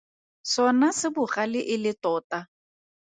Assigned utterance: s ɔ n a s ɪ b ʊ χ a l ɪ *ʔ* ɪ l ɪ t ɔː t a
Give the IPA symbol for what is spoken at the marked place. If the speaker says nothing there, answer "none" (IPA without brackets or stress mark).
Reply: ʔ